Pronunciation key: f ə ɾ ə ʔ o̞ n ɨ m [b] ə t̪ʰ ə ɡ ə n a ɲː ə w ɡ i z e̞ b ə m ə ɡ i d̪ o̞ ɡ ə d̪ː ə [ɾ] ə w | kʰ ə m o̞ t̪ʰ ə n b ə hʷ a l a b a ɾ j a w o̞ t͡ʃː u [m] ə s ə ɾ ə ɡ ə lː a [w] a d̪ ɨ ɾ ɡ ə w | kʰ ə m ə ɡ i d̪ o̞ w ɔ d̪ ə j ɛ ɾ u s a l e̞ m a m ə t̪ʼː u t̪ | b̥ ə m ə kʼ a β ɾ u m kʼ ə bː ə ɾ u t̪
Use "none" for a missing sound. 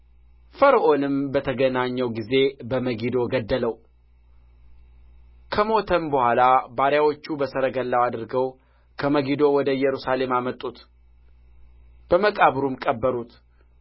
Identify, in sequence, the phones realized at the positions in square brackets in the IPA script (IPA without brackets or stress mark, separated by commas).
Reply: b, l, b, w